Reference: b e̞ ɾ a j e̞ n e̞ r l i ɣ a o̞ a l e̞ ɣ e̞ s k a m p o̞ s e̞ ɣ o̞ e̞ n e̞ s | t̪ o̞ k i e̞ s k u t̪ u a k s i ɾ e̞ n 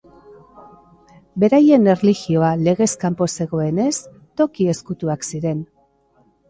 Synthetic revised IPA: b e̞ ɾ a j e̞ n e̞ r l i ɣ i o̞ a l e̞ ɣ e̞ s k a m p o̞ s e̞ ɣ o̞ e̞ n e̞ s | t̪ o̞ k i e̞ s k u t̪ u a k s i ɾ e̞ n